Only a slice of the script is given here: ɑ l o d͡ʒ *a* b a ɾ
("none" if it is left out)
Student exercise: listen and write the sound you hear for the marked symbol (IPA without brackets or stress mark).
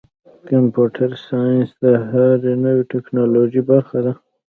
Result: i